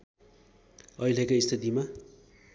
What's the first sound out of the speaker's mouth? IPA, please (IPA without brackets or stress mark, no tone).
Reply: ʌ